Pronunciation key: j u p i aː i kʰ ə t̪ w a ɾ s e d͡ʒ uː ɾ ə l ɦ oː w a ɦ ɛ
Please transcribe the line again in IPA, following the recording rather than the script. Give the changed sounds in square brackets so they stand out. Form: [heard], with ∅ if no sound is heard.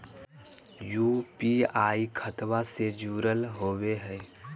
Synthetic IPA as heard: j u p i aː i kʰ ə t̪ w a [∅] s e d͡ʒ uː ɾ ə l ɦ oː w [e] ɦ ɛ